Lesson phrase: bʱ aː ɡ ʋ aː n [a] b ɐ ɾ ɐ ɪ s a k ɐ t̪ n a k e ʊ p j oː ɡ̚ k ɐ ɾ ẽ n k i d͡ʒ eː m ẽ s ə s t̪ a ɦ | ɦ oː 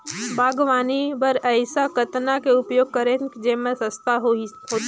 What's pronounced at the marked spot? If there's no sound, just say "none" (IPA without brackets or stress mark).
i